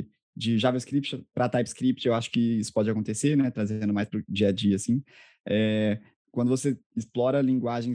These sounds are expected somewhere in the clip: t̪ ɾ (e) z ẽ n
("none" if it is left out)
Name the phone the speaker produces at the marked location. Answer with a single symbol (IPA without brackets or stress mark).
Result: a